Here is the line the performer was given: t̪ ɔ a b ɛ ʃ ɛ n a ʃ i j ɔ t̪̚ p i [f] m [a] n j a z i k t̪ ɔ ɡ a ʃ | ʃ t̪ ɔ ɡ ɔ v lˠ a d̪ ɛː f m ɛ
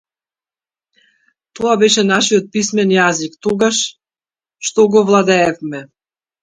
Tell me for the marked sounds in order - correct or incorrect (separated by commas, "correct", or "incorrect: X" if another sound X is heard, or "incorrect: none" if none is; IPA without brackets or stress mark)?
incorrect: s, incorrect: ɛ